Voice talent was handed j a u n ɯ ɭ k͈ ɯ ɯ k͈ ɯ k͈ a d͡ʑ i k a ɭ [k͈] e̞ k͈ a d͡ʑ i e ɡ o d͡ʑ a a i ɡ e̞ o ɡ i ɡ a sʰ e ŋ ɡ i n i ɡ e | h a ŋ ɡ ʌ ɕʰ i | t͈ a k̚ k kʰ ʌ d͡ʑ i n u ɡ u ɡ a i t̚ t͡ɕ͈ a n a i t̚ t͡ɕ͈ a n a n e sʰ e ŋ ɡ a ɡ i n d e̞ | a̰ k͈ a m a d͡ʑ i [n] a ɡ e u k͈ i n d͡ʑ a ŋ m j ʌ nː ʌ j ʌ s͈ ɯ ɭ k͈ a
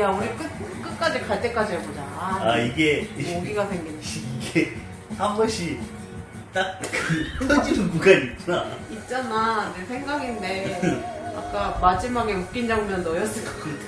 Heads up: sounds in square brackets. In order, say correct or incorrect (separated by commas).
incorrect, incorrect